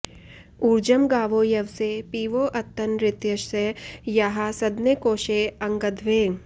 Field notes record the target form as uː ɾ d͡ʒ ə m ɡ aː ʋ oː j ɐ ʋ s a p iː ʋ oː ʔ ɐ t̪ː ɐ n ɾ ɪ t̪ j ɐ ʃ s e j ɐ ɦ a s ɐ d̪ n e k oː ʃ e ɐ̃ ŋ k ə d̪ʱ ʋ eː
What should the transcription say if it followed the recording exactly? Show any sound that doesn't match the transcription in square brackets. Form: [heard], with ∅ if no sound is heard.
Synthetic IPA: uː ɾ d͡ʒ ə m ɡ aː ʋ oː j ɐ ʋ s [e] p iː ʋ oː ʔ ɐ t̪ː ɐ n ɾ ɪ t̪ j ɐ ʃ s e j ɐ ɦ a s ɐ d̪ n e k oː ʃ e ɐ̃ ŋ [ɡ] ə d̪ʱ ʋ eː